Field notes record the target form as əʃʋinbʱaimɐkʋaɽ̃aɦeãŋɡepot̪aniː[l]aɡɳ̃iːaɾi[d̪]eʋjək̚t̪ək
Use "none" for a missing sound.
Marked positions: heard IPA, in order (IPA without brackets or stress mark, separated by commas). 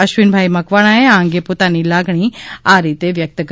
l, t̪